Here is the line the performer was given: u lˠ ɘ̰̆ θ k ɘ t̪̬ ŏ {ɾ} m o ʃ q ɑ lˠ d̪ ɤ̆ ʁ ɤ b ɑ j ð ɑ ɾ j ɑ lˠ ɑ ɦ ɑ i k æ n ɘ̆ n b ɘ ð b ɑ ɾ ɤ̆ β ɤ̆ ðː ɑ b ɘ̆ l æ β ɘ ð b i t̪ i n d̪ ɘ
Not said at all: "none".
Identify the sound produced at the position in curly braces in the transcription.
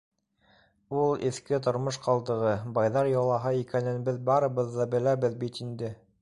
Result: ɾ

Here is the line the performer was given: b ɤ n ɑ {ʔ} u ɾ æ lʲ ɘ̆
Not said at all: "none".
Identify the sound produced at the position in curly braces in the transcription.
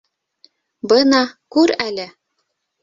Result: k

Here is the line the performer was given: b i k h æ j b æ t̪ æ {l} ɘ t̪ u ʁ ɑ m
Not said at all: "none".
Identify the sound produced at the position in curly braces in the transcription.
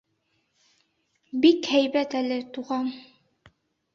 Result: l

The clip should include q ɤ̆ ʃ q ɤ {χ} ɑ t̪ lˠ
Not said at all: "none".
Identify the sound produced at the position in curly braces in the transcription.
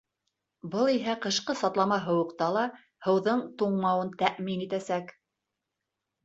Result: s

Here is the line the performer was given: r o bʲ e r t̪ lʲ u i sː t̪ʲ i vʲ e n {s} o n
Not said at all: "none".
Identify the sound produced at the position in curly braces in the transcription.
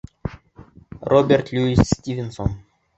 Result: s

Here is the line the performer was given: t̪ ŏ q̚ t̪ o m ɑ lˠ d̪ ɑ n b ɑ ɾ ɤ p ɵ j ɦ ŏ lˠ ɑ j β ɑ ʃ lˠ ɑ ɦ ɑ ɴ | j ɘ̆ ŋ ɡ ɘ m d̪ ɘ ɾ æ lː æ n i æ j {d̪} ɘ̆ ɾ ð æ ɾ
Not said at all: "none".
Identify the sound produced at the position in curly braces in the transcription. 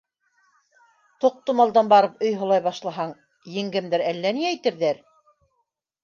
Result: t̪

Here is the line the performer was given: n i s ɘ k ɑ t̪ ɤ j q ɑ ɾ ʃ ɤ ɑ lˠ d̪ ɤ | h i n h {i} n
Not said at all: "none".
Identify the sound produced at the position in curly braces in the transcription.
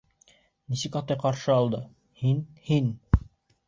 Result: i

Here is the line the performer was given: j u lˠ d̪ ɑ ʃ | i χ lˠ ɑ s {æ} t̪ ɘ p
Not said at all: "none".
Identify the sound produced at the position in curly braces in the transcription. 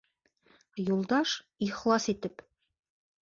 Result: i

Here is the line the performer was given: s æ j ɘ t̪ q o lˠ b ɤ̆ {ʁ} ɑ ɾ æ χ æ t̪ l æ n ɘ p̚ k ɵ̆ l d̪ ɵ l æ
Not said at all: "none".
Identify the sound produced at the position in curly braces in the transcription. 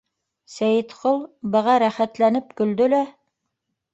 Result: ʁ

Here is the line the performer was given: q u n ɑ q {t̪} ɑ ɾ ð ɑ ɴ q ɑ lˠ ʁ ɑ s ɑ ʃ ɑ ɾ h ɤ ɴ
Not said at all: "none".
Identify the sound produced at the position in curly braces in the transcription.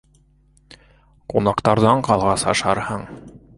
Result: t̪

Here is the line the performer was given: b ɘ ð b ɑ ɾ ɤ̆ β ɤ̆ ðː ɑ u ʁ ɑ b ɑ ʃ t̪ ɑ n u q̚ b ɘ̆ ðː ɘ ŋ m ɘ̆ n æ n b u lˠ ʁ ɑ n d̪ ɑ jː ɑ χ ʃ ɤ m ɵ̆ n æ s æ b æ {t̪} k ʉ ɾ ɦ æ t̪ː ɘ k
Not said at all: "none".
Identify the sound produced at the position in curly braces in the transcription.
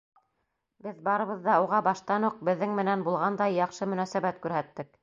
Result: t̪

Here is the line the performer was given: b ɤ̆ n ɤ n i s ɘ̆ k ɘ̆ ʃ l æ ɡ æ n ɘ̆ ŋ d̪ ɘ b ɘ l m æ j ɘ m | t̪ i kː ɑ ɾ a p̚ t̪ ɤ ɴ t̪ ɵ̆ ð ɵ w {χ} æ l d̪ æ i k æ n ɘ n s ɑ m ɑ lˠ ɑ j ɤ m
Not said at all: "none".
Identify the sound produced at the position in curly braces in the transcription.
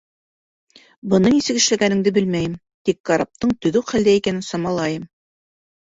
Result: χ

